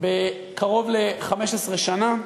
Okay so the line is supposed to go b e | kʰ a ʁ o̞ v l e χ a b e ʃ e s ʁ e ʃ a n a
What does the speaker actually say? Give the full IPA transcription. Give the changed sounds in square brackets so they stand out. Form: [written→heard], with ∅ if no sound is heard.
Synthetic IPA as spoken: b e | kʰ a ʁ o̞ v l e χ a [b→m] e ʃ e s ʁ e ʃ a n a